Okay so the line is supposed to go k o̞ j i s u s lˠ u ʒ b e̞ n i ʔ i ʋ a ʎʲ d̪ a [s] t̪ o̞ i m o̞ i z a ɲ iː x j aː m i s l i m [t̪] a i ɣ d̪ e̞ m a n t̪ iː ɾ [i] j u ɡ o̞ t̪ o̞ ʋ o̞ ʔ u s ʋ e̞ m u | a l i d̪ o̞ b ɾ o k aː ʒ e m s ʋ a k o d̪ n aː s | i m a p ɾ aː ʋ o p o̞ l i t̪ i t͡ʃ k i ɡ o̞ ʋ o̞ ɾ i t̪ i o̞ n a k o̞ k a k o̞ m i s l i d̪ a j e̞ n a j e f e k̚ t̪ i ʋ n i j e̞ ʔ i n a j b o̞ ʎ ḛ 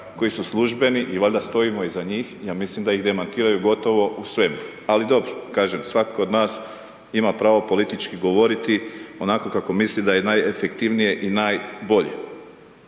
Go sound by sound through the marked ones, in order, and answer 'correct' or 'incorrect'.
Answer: correct, incorrect: d̪, incorrect: a

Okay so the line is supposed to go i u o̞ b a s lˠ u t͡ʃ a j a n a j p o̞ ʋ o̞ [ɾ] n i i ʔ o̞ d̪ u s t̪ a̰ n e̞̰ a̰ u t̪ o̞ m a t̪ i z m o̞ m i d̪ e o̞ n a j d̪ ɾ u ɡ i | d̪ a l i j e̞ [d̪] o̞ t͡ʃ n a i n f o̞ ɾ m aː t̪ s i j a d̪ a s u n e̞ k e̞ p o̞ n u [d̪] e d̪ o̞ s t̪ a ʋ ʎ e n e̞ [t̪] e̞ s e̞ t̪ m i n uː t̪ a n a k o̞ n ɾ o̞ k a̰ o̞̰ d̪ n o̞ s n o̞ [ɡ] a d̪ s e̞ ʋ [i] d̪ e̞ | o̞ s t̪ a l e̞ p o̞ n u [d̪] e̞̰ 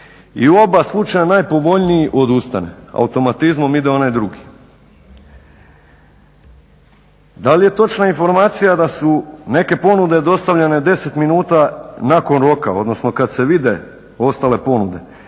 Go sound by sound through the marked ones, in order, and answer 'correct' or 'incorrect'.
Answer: incorrect: ʎ, incorrect: t̪, correct, incorrect: d̪, incorrect: k, correct, correct

